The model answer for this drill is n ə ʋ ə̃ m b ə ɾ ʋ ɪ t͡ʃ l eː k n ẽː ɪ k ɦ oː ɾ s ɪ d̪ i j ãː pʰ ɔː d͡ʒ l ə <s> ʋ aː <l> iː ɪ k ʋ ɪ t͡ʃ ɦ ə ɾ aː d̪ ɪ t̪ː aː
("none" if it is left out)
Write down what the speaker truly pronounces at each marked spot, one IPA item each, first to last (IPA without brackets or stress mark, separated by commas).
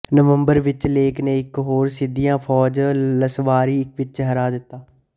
s, ɾ